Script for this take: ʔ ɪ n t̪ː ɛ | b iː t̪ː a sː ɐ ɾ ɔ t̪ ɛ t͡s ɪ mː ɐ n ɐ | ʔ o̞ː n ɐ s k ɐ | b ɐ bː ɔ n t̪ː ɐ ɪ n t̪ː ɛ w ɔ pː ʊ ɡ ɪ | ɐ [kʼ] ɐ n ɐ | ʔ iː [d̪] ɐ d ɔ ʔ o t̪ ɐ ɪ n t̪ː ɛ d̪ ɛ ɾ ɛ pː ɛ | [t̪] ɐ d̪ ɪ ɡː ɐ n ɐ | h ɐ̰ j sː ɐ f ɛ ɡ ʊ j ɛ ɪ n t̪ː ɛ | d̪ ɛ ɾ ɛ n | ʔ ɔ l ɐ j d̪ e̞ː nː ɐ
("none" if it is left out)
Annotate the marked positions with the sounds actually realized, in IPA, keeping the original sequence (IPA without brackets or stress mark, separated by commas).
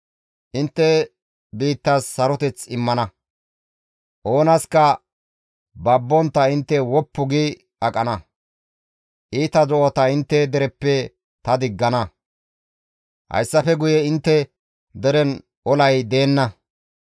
kʼ, t̪, t̪